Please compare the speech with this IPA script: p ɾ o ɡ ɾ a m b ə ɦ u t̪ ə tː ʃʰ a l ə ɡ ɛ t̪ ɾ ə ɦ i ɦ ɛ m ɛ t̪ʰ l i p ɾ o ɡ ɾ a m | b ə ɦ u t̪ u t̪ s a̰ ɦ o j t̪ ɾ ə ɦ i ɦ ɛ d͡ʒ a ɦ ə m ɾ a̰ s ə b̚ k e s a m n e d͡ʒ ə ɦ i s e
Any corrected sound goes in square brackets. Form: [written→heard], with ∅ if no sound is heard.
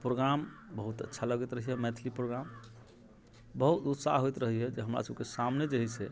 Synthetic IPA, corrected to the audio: p ɾ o ɡ ɾ a m b ə ɦ u t̪ ə tː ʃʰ a l ə ɡ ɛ t̪ ɾ ə ɦ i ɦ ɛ m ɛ t̪ʰ l i p ɾ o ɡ ɾ a m | b ə ɦ u t̪ u t̪ s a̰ ɦ o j t̪ ɾ ə ɦ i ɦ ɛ d͡ʒ [a→e] ɦ ə m ɾ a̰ s ə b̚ k e s a m n e d͡ʒ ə ɦ i s e